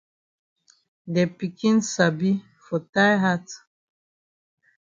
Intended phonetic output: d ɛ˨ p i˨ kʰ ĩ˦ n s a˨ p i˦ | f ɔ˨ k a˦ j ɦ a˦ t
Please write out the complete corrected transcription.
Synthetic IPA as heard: d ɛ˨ p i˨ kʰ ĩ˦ n s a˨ b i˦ | f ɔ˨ t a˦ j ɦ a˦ t